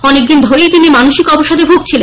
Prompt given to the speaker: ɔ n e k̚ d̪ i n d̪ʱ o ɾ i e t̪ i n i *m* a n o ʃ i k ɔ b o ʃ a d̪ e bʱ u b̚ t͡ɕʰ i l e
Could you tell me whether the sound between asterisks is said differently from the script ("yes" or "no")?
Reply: no